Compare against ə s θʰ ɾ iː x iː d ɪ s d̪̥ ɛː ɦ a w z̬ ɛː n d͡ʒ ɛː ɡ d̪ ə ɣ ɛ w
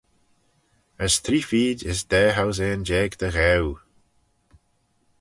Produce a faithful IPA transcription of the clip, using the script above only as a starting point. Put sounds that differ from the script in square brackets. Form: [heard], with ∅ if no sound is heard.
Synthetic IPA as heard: ə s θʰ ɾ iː [f] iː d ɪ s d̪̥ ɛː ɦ a w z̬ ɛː n d͡ʒ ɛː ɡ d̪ ə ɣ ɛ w